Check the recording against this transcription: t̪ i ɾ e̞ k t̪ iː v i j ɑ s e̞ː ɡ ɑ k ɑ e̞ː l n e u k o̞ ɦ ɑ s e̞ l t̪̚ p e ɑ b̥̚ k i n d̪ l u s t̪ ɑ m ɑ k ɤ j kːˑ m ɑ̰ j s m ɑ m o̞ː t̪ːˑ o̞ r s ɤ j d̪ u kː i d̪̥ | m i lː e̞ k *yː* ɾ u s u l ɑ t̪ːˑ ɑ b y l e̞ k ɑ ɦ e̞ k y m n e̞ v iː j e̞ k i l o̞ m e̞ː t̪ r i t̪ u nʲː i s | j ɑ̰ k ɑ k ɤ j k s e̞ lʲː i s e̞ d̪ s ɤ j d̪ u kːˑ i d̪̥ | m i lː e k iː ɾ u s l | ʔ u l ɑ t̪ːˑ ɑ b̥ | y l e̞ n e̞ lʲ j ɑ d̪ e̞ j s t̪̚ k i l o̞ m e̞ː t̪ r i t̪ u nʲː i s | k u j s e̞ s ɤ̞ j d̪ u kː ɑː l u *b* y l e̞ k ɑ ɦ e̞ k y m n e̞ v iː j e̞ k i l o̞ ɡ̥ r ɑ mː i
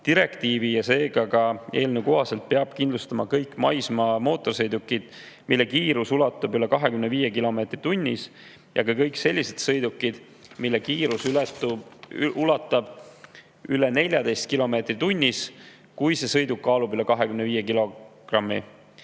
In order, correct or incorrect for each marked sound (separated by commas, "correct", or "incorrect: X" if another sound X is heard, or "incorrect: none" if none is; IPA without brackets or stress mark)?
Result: incorrect: iː, correct